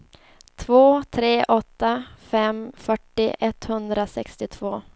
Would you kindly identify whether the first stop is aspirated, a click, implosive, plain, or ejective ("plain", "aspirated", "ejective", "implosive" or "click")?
aspirated